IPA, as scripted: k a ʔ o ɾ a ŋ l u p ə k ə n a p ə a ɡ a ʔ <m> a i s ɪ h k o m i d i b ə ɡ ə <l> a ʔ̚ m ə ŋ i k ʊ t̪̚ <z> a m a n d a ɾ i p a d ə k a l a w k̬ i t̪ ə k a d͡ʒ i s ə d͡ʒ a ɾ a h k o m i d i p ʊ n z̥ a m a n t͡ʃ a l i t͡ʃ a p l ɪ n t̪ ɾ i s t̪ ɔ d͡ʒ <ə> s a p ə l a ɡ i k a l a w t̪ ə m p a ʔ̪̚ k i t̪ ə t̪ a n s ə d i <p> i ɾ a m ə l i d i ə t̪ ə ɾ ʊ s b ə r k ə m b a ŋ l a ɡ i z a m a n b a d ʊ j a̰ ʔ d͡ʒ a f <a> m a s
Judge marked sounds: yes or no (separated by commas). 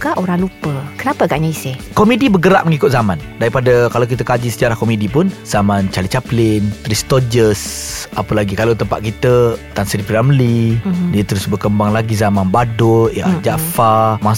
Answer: no, no, yes, yes, yes, yes